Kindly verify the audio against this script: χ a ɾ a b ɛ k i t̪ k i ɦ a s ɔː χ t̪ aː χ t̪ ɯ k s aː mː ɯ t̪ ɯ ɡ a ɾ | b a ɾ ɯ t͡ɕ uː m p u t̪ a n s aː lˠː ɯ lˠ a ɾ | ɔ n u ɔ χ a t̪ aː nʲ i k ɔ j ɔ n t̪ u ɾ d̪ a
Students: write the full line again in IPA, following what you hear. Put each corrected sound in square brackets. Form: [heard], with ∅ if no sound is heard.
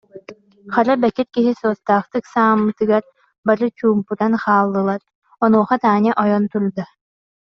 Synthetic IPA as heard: χ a ɾ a b ɛ k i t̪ k i ɦ [i] s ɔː [s] t̪ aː χ t̪ ɯ k s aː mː ɯ t̪ ɯ ɡ a ɾ | b a ɾ ɯ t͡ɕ uː m p u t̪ a n [χ] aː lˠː ɯ lˠ a ɾ | ɔ n u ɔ χ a t̪ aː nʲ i [ʔ] ɔ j ɔ n t̪ u ɾ d̪ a